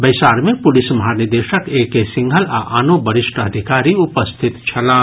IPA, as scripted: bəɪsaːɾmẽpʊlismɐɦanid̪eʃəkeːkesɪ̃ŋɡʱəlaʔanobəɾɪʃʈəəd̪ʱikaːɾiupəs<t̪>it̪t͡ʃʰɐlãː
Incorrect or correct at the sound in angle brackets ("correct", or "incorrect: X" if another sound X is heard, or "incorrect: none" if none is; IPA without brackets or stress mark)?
incorrect: t̪ʰ